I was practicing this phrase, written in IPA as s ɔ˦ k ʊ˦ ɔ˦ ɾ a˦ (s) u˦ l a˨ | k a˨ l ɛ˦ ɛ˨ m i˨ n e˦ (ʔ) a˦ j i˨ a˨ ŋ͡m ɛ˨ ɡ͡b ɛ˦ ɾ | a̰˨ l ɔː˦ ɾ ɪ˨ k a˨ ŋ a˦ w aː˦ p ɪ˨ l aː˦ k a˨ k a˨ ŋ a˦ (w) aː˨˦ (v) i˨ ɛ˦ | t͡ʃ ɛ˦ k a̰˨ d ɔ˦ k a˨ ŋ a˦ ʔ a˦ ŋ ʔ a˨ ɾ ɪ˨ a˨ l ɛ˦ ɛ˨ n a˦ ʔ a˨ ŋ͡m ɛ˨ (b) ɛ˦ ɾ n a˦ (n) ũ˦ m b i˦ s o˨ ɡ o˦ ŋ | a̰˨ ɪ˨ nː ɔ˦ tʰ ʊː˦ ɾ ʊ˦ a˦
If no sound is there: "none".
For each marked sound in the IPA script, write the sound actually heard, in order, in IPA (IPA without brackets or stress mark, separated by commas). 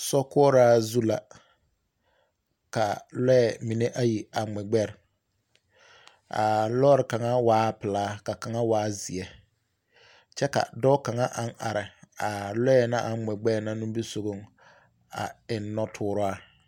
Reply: z, ʔ, w, z, ɡ͡b, n